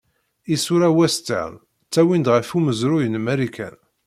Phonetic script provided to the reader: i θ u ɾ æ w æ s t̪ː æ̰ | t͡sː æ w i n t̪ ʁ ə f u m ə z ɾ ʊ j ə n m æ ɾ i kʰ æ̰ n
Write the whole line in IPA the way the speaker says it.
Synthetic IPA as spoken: i s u ɾ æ w æ s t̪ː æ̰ | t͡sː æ w i n d̪ ʁ ə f u m ə z ɾ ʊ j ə n m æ ɾ i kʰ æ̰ n